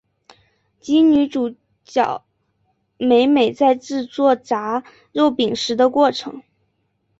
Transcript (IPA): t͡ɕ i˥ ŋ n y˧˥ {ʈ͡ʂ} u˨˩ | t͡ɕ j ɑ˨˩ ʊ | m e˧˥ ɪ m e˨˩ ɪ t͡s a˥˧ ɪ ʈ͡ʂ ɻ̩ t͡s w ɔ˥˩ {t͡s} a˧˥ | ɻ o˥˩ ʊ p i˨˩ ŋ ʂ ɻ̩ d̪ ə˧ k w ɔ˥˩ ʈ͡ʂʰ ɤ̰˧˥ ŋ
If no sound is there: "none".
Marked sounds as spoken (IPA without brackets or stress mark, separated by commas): ʈ͡ʂ, t͡s